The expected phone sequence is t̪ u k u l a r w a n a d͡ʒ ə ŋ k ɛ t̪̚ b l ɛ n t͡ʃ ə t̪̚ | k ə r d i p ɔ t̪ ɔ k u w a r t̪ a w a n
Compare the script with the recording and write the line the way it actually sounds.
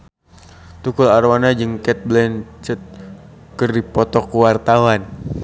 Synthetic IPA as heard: t̪ u k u l a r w a n a d͡ʒ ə ŋ k ɛ t̪̚ b l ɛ n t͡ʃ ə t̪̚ | k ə r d i p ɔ t̪ ɔ k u w a r t̪ a w a n